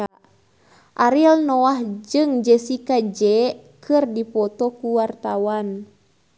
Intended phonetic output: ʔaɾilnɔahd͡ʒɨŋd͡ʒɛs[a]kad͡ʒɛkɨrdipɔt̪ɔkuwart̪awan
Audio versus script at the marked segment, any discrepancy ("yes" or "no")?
yes